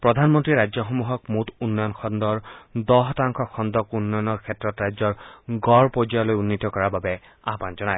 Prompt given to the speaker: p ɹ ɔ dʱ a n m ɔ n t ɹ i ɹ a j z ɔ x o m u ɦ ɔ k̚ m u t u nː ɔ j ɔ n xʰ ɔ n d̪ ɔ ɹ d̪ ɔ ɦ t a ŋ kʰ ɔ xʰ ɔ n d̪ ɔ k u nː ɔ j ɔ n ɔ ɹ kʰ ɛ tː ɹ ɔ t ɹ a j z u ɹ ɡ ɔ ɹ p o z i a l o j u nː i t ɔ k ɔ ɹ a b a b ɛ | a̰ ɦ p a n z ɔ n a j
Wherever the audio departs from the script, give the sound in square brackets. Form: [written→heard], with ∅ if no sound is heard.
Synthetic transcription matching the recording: p ɹ ɔ dʱ a n m ɔ n t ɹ i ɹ a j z ɔ x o m u ɦ ɔ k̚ m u t u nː ɔ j ɔ n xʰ ɔ n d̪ ɔ ɹ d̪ ɔ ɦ t a ŋ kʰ ɔ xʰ ɔ n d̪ ɔ k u nː ɔ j ɔ n ɔ ɹ kʰ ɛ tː ɹ ɔ t ɹ a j z [u→ɔ] ɹ ɡ ɔ ɹ p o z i a l o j u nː i t ɔ k ɔ ɹ a b a b ɛ | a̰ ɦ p a n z ɔ n a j